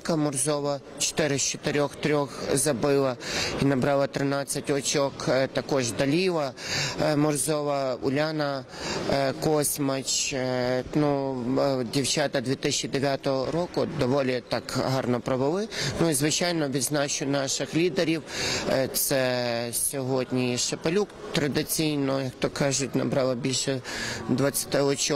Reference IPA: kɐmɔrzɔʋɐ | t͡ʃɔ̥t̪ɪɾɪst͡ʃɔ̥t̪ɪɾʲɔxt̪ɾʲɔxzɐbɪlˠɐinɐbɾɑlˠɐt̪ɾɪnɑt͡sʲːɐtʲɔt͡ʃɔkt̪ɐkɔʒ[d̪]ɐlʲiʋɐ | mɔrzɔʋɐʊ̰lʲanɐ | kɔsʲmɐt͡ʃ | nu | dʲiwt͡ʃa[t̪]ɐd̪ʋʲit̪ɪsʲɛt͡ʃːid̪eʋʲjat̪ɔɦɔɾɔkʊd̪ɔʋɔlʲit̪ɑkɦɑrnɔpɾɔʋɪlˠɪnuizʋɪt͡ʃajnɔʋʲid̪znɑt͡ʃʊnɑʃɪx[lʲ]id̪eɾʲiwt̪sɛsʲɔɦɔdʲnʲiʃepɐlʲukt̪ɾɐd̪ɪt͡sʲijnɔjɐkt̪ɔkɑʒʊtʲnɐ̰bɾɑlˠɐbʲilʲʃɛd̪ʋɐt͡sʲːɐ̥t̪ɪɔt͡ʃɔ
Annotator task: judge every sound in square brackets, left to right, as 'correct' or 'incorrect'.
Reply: correct, correct, correct

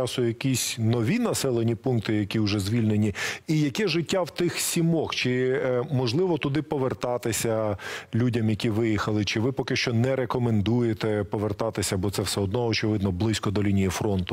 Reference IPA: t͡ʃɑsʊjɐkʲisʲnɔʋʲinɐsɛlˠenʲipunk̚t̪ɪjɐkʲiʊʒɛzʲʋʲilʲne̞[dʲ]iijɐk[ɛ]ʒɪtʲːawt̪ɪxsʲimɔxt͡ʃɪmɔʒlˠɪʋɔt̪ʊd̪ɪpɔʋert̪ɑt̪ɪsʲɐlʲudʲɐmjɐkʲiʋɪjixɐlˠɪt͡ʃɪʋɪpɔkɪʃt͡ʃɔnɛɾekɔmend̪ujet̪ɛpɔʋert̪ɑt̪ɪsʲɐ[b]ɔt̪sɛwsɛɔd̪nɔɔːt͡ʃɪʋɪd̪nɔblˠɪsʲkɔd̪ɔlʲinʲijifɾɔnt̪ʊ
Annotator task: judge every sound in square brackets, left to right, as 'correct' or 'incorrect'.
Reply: incorrect: nʲ, correct, correct

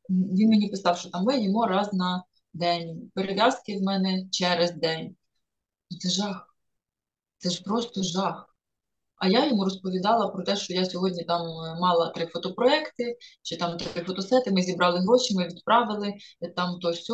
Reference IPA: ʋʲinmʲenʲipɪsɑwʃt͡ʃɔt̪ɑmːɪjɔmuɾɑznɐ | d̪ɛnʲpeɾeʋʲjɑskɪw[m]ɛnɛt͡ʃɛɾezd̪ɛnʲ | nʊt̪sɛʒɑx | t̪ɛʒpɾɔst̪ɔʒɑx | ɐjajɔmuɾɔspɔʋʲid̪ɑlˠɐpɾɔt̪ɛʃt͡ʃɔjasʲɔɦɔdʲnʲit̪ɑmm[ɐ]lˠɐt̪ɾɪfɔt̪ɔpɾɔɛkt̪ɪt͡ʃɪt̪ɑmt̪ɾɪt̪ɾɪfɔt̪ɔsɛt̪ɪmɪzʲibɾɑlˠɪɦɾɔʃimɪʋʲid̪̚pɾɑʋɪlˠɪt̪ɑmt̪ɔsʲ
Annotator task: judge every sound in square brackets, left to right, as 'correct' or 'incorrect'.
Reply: correct, incorrect: ɑ

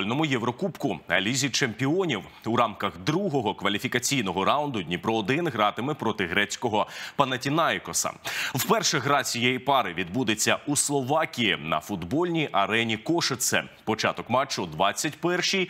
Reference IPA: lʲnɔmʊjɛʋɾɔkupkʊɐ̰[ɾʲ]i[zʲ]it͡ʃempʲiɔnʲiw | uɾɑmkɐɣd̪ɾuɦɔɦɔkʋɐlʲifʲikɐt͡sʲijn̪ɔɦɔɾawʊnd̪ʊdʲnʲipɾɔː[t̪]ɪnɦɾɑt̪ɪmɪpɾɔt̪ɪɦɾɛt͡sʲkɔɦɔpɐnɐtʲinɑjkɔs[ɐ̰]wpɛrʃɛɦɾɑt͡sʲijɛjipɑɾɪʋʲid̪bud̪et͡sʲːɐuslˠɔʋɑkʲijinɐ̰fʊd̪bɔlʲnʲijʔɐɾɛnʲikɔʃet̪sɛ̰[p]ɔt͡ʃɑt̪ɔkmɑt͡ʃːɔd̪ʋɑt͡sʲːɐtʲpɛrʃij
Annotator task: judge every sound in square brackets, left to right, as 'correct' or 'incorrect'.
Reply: incorrect: lʲ, correct, incorrect: d̪, correct, correct

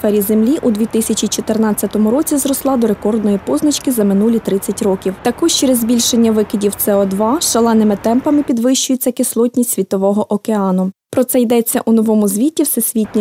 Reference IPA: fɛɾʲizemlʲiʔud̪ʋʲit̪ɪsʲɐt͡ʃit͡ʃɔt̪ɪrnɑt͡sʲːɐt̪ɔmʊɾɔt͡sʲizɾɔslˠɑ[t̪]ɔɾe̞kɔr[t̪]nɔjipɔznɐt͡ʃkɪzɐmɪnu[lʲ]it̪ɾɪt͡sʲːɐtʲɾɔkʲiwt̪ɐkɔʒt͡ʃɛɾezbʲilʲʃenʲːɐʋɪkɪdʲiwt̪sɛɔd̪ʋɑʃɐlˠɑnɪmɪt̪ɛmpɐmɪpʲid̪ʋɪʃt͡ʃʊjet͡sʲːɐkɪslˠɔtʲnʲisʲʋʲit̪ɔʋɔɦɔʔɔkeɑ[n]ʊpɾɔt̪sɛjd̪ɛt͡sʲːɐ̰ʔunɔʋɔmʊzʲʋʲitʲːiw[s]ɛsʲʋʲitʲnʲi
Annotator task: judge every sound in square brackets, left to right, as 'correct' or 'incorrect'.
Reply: incorrect: d̪, incorrect: d̪, correct, correct, correct

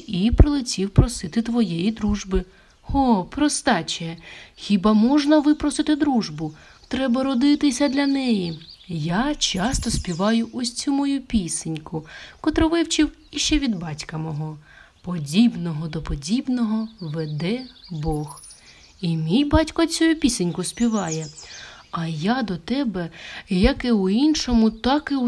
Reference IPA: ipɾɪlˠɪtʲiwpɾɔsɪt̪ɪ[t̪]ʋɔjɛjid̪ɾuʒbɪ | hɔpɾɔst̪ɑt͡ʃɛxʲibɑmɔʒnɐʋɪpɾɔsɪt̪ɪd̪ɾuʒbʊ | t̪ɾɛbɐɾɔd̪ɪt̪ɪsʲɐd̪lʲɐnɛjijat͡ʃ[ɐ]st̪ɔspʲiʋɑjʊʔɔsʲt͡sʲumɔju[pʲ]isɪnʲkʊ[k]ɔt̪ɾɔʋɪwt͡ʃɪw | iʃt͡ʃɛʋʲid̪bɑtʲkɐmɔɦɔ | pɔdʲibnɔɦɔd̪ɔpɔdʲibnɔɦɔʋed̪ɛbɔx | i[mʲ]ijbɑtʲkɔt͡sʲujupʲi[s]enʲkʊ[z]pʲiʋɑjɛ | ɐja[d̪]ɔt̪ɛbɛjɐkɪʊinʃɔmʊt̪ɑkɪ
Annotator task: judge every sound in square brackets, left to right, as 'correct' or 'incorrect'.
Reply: correct, incorrect: ɑ, correct, correct, correct, correct, incorrect: s, correct

